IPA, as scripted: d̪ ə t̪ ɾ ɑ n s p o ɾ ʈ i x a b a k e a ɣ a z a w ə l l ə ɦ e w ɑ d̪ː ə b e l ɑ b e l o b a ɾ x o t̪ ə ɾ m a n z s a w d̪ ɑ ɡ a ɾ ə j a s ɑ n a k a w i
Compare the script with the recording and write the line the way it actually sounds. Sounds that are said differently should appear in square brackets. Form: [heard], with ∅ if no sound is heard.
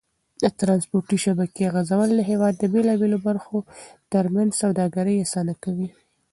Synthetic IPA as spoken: d̪ ə t̪ ɾ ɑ n s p o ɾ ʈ i [ʃ] a b a k e a ɣ a z a w ə l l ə ɦ e w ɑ d̪ː ə b e l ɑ b e l o b a ɾ x o t̪ ə ɾ m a n z s a w d̪ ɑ ɡ a ɾ ə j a s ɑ n a k a w i